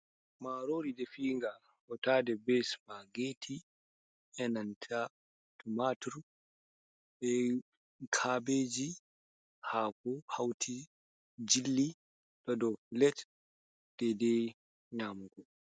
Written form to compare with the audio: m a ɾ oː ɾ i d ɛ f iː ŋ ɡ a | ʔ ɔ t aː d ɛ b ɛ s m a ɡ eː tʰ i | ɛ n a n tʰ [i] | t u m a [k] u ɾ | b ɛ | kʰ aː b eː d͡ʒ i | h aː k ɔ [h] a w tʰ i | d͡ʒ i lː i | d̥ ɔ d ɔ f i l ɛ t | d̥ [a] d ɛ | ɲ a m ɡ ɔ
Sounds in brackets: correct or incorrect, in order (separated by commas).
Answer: incorrect, incorrect, correct, incorrect